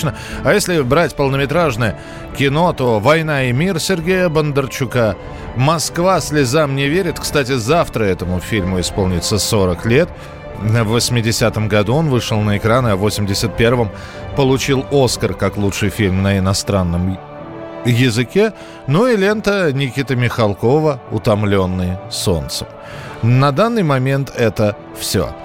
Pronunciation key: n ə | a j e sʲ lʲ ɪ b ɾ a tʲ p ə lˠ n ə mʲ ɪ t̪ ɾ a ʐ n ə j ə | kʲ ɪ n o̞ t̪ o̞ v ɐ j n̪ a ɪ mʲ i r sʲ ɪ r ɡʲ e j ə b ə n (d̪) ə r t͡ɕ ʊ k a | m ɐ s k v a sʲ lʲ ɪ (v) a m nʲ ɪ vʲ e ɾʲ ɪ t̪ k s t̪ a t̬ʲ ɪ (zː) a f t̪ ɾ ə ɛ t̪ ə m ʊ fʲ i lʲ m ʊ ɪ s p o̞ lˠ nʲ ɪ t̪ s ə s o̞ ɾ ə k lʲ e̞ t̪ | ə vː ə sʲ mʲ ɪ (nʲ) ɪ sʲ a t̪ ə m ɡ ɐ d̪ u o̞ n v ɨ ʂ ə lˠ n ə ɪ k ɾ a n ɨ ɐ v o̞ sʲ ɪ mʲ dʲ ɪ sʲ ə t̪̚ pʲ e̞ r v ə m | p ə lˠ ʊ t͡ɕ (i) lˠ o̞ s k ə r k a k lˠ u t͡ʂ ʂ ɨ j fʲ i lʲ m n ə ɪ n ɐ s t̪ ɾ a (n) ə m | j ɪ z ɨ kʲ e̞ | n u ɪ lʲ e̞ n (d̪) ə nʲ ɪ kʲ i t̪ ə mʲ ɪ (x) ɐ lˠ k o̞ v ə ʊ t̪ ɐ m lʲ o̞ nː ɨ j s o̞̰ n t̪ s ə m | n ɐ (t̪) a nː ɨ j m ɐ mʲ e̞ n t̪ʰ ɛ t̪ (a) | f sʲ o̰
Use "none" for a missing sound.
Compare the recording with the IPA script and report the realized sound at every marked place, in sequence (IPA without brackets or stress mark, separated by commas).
d̪, z, z, dʲ, i, nː, t̪, x, d̪, ə